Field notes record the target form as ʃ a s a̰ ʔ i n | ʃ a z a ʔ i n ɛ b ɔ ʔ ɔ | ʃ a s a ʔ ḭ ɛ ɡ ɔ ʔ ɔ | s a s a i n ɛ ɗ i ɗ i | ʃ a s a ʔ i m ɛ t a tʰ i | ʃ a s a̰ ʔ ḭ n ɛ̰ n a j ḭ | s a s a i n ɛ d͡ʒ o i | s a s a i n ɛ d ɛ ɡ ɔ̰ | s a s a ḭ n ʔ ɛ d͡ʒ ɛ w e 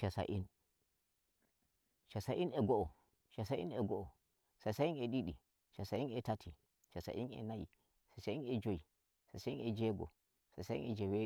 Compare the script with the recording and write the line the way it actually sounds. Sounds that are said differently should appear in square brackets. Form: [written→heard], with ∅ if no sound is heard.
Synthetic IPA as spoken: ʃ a s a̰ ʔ i n | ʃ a [z→s] a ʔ i n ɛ [b→ɡ] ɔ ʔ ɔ | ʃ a s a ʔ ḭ ɛ ɡ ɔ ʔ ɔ | s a s a i n ɛ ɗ i ɗ i | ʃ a s a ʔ i [m→n] ɛ t a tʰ i | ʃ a s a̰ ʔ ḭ n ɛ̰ n a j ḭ | s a s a i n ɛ d͡ʒ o i | s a s a i n ɛ [d→d͡ʒ] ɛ ɡ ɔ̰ | s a s a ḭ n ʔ ɛ d͡ʒ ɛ w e